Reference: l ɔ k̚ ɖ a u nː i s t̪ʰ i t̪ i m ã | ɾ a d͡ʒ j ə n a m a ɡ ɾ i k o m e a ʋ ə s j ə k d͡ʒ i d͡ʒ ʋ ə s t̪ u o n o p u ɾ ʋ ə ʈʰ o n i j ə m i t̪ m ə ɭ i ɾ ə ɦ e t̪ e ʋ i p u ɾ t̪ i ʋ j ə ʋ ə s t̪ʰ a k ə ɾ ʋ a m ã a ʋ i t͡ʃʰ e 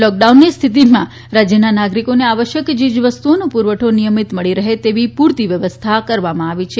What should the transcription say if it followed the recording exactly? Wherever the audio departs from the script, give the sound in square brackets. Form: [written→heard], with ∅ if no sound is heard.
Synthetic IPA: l ɔ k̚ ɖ a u nː i s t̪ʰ i t̪ i m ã | ɾ a d͡ʒ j ə n a [m→n] a ɡ ɾ i k o [m→n] e a ʋ ə [s→ʃ] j ə k d͡ʒ i d͡ʒ ʋ ə s t̪ u o n o p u ɾ ʋ ə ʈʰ o n i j ə m i t̪ m ə ɭ i ɾ ə ɦ e t̪ e ʋ i p u ɾ t̪ i ʋ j ə ʋ ə s t̪ʰ a k ə ɾ ʋ a m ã a ʋ i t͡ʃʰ e

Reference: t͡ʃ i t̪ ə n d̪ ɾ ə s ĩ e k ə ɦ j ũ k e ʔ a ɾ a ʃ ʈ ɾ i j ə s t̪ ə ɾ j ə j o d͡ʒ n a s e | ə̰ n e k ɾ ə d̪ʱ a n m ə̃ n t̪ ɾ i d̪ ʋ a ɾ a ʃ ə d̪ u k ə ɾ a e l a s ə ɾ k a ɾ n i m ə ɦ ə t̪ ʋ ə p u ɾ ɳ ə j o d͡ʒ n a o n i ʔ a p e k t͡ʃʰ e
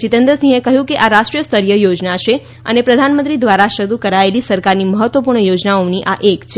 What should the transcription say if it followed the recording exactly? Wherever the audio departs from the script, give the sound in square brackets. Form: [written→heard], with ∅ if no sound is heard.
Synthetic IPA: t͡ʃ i t̪ ə n d̪ ɾ ə s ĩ e k ə ɦ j ũ k e ʔ a ɾ a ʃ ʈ ɾ i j ə s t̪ ə ɾ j ə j o d͡ʒ n a [s→ʃ] e | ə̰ n e [k→p] ɾ ə d̪ʱ a n m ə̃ n t̪ ɾ i d̪ ʋ a ɾ a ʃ ə d̪ u k ə ɾ a e l [a→i] s ə ɾ k a ɾ n i m ə ɦ ə t̪ ʋ ə p u ɾ ɳ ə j o d͡ʒ n a o n i ʔ a [p→ʔ] e k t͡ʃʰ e

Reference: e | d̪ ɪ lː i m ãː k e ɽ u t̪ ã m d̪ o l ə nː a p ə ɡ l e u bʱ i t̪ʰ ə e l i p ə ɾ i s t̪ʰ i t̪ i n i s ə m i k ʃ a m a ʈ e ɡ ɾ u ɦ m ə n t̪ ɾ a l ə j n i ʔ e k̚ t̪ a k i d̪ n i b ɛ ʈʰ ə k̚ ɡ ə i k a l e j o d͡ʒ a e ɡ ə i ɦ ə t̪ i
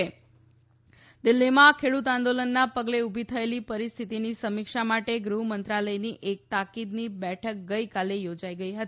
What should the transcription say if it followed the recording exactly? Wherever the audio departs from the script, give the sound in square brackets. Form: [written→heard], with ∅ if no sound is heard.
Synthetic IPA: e | d̪ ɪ lː i m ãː [k→kʰ] e ɽ u t̪ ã [m→n] d̪ o l ə nː a p ə ɡ l e u bʱ i t̪ʰ ə e l i p ə ɾ i s t̪ʰ i t̪ i n i s ə m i k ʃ a m a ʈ e ɡ ɾ u ɦ m ə n t̪ ɾ a l ə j n i ʔ e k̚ t̪ a k i d̪ n i b ɛ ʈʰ ə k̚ ɡ ə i k a l e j o d͡ʒ a [e→i] ɡ ə i ɦ ə t̪ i

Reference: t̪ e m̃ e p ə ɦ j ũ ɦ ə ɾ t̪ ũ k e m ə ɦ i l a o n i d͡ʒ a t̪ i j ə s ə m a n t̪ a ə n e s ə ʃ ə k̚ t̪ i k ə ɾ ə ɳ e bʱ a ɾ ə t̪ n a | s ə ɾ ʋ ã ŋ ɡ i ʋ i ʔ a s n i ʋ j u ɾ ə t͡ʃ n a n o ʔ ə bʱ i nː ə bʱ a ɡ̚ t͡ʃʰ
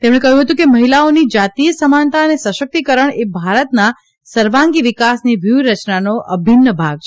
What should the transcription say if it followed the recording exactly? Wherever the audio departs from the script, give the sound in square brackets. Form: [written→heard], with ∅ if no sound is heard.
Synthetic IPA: t̪ e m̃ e [p→k] ə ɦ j ũ ɦ ə [ɾ→∅] t̪ ũ k e m ə ɦ i l a o n i d͡ʒ a t̪ i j ə s ə m a n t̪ a ə n e s ə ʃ ə k̚ t̪ i k ə ɾ ə ɳ e bʱ a ɾ ə t̪ n a | s ə ɾ ʋ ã ŋ ɡ i ʋ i [ʔ→k] a s n i ʋ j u ɾ ə t͡ʃ n a n o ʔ ə bʱ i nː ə bʱ a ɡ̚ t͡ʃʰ

